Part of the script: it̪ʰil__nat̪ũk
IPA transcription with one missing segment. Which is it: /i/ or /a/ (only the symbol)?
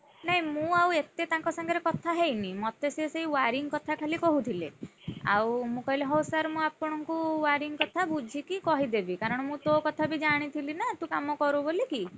i